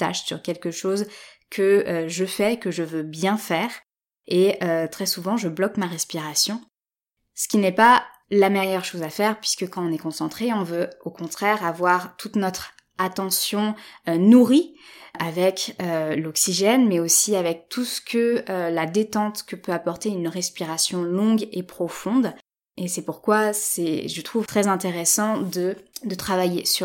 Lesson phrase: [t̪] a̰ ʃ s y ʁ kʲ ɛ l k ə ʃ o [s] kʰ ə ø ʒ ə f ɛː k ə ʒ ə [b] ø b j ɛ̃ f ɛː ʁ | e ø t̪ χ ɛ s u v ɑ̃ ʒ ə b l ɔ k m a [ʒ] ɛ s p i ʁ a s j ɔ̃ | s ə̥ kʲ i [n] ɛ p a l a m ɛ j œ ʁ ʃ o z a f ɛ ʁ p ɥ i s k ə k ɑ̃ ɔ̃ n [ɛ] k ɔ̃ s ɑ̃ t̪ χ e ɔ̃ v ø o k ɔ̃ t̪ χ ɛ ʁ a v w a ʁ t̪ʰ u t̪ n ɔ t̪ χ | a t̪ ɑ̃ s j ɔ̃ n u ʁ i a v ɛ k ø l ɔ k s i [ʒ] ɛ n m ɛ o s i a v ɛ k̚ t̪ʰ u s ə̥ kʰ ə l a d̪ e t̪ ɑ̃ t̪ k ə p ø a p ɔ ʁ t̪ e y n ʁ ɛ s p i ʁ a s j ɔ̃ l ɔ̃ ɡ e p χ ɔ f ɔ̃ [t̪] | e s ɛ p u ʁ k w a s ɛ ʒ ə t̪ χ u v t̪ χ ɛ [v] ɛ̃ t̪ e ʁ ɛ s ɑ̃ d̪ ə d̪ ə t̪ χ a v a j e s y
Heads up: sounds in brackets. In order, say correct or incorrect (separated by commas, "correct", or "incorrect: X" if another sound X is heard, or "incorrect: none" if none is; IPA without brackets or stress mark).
correct, incorrect: z, incorrect: v, incorrect: ʁ, correct, correct, correct, incorrect: d̪, incorrect: z